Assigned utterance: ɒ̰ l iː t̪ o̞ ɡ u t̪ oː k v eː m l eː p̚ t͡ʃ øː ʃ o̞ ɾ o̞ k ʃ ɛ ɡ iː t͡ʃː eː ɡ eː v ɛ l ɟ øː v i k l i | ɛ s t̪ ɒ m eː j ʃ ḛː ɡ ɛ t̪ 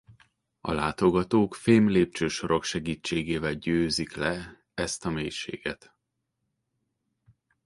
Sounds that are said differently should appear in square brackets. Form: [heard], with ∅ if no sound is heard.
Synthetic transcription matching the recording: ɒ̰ l [aː] t̪ o̞ ɡ [ɒ] t̪ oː k [f] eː m l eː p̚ t͡ʃ øː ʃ o̞ ɾ o̞ k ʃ ɛ ɡ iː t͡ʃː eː ɡ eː v ɛ l ɟ øː [z] i k l [ɛ] | ɛ s t̪ ɒ m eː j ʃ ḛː ɡ ɛ t̪